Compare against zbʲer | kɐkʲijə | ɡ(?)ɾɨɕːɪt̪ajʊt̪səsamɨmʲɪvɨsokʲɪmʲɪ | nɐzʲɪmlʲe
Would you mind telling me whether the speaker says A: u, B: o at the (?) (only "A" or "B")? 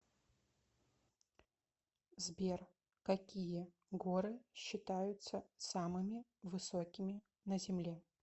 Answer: B